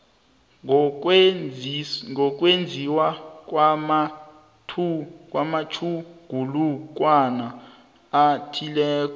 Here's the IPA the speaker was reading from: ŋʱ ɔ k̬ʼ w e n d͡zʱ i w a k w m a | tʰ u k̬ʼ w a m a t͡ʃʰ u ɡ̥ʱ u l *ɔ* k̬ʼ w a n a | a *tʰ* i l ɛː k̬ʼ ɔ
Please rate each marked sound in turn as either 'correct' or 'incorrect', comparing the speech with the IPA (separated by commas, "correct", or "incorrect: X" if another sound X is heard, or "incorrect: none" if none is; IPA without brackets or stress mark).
incorrect: u, correct